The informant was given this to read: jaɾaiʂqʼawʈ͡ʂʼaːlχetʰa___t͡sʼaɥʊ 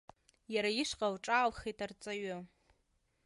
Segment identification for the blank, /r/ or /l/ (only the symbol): r